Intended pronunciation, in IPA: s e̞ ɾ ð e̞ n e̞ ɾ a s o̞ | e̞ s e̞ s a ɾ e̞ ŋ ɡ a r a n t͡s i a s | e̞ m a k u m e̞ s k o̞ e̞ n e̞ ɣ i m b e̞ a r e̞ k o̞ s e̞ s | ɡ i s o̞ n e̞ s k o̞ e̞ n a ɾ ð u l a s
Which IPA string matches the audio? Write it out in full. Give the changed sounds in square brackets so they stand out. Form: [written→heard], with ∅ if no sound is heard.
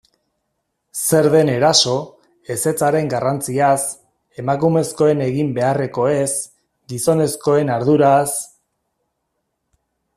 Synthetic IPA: s e̞ ɾ ð e̞ n e̞ ɾ a s o̞ | e̞ s e̞ [s→t͡s] a ɾ e̞ ŋ ɡ a r a n t͡s i a s | e̞ m a k u m e̞ s k o̞ e̞ n e̞ ɣ i m b e̞ a r e̞ k o̞ [s→∅] e̞ s | ɡ i s o̞ n e̞ s k o̞ e̞ n a ɾ ð u [l→ɾ] a s